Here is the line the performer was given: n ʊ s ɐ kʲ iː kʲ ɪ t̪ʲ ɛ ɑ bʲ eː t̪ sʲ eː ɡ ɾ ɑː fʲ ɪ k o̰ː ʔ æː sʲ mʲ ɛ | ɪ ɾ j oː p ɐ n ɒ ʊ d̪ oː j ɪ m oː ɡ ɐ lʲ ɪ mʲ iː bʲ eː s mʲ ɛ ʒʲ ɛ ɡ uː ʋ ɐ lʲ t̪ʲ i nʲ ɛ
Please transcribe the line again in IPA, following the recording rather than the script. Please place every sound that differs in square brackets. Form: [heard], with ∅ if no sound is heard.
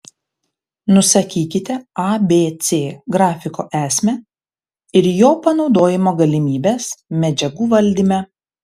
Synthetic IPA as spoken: n ʊ s ɐ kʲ iː kʲ ɪ t̪ʲ ɛ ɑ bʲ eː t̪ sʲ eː ɡ ɾ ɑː fʲ ɪ k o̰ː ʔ æː sʲ mʲ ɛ | ɪ ɾ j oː p ɐ n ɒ ʊ d̪ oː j ɪ m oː ɡ ɐ lʲ ɪ mʲ iː bʲ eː s mʲ ɛ [d͡ʒʲ] ɛ ɡ uː ʋ ɐ lʲ [d̪ʲ] i [mʲ] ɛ